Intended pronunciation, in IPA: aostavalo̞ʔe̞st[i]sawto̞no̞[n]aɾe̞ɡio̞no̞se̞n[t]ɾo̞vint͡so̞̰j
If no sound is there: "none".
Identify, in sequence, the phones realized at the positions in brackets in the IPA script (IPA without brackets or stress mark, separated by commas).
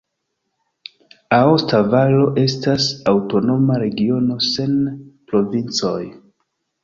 a, m, p